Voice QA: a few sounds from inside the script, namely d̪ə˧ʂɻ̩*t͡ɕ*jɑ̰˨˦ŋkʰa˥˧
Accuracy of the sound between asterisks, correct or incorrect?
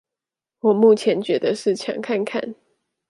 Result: incorrect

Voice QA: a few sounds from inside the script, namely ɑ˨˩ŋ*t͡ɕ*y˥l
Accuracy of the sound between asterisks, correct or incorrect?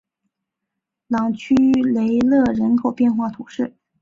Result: incorrect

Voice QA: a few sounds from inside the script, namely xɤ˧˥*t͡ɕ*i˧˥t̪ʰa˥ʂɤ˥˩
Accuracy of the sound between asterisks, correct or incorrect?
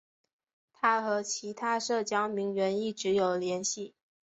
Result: incorrect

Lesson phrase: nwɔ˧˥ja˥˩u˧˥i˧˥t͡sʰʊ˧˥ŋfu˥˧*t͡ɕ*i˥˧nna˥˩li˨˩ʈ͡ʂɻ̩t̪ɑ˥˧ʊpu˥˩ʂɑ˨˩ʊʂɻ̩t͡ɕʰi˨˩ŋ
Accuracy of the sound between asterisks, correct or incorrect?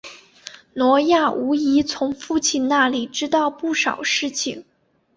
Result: incorrect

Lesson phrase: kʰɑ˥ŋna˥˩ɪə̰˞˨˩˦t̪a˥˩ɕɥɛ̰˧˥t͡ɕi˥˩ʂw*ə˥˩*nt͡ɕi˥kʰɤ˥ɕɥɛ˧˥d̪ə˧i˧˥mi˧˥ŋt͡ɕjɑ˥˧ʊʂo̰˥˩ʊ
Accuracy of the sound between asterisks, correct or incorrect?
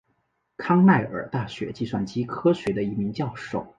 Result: incorrect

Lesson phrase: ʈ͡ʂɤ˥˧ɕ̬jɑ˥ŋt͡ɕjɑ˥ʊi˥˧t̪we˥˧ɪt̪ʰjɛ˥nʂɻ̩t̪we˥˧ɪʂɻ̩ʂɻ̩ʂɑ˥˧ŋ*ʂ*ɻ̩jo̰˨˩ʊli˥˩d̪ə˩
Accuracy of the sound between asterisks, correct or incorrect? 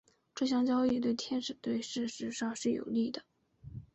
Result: correct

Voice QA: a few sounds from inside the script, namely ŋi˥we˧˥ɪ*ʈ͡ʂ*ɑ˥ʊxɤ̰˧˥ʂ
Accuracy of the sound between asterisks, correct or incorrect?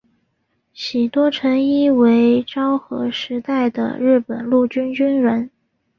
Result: correct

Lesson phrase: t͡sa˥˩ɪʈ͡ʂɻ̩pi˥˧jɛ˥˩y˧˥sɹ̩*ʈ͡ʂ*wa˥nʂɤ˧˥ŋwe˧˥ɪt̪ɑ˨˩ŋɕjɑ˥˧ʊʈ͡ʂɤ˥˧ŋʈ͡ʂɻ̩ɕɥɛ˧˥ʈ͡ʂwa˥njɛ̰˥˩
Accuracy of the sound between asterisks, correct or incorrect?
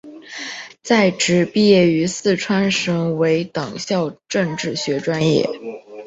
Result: incorrect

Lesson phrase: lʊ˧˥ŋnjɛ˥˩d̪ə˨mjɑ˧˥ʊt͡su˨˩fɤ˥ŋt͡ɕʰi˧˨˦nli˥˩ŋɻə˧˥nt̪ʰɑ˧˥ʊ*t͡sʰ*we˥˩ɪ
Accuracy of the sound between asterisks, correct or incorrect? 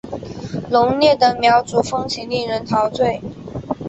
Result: incorrect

